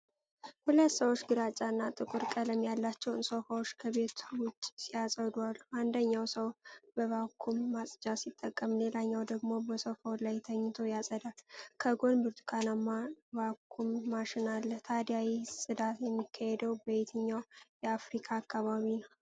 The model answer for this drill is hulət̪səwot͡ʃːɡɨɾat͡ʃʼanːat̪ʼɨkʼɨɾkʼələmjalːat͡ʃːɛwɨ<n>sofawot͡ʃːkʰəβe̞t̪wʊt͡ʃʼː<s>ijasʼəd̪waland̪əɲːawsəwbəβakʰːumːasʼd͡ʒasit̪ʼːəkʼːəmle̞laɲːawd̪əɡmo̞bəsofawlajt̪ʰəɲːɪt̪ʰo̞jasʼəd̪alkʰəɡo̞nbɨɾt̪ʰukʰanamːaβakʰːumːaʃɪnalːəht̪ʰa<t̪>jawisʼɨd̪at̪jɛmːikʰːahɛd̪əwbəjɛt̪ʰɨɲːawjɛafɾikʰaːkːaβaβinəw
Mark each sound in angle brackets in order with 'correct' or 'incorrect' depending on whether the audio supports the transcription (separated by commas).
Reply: correct, correct, incorrect